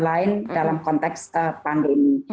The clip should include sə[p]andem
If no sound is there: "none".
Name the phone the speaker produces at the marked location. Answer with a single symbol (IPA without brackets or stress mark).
p